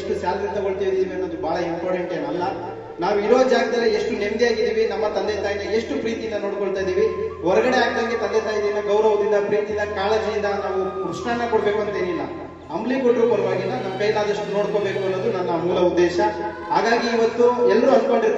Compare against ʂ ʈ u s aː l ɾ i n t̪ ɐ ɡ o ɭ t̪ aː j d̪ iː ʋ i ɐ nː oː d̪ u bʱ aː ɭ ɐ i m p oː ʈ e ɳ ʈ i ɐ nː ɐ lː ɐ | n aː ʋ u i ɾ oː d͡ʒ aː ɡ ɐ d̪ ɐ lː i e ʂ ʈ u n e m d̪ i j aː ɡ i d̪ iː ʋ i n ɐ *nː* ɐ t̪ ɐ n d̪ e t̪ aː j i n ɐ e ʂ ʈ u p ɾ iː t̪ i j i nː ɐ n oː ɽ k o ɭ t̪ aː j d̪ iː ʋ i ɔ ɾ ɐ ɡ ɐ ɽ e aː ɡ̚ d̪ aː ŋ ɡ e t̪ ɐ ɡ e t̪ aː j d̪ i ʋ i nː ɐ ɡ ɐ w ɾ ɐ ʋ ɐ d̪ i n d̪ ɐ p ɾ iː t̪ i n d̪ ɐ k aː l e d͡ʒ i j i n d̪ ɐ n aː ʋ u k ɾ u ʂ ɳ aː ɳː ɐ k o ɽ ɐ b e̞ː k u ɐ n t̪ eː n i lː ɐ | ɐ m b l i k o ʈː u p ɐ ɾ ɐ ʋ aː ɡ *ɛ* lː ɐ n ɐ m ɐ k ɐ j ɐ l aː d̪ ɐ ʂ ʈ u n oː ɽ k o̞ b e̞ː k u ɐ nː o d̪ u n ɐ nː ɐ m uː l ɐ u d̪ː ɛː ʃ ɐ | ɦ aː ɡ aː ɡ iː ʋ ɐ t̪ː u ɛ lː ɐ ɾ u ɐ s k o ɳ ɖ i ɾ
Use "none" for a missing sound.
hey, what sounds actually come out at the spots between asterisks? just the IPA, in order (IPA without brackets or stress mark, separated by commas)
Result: mː, i